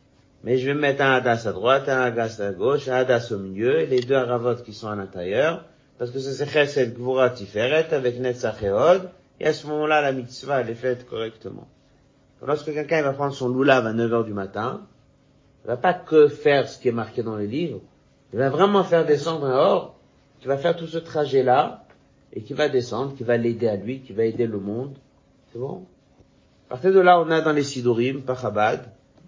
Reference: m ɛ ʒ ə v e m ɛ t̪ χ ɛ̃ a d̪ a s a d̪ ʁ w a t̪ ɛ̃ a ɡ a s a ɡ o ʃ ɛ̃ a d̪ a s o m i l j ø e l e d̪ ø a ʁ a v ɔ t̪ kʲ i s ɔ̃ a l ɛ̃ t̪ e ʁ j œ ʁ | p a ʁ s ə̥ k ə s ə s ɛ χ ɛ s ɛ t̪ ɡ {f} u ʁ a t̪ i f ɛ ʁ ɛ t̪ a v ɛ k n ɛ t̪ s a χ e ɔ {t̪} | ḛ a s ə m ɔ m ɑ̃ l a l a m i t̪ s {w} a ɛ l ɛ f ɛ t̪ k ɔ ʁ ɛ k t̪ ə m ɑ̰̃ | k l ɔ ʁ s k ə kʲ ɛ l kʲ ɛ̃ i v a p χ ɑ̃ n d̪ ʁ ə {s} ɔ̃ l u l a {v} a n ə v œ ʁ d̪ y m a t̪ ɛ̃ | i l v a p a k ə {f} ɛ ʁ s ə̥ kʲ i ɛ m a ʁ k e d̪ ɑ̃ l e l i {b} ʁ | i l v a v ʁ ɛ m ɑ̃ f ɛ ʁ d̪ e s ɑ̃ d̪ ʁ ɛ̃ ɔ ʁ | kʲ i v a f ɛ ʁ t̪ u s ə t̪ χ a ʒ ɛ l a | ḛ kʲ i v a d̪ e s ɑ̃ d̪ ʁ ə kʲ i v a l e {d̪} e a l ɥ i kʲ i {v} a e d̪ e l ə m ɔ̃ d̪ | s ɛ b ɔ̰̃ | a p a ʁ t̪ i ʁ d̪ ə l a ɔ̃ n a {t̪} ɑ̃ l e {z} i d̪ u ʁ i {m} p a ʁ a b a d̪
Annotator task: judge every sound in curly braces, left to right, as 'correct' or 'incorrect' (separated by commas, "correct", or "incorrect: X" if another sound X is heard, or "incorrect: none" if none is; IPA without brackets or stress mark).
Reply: incorrect: v, incorrect: d̪, incorrect: v, correct, correct, correct, incorrect: v, correct, correct, incorrect: d̪, incorrect: s, correct